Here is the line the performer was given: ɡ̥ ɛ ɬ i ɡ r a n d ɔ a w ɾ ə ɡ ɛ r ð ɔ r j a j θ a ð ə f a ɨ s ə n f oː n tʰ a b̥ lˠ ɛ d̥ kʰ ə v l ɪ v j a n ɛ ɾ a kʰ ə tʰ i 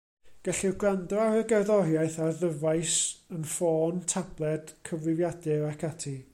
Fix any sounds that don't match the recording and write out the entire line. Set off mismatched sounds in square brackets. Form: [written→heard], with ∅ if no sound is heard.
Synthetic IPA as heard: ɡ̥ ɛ ɬ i ɡ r a n d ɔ a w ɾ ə ɡ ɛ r ð ɔ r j a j θ a ð ə [f→v] a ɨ s ə n f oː n tʰ a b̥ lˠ ɛ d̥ kʰ ə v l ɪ v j a [n→d] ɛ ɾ a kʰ [ə→a] tʰ i